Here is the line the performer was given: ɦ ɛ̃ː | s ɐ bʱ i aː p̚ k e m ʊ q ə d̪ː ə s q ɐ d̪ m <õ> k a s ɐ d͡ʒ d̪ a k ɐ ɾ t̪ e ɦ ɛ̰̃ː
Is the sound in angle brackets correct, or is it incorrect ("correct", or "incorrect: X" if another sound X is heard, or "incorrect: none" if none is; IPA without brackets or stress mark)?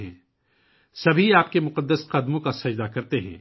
correct